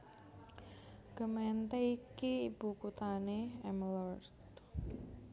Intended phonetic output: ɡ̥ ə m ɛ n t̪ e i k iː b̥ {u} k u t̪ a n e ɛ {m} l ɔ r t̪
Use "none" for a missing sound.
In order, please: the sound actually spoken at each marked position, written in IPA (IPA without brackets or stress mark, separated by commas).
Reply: u, m